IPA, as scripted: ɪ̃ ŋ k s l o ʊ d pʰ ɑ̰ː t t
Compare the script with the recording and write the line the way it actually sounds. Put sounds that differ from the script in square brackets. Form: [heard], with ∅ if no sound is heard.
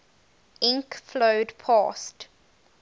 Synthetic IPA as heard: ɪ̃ ŋ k [f] l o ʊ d pʰ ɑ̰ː [s] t